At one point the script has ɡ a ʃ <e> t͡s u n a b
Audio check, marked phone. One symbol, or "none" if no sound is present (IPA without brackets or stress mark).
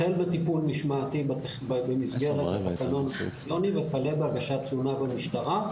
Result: a